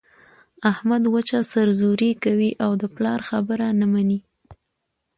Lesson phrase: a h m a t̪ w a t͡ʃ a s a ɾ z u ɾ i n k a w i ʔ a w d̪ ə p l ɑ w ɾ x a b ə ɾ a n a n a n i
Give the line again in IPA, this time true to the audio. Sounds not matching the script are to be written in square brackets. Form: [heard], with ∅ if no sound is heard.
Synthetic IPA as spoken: a h m a [d̪] w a t͡ʃ a s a ɾ z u ɾ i [∅] k a w i ʔ a w d̪ ə p l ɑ [∅] ɾ x a b ə ɾ a n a [m] a n i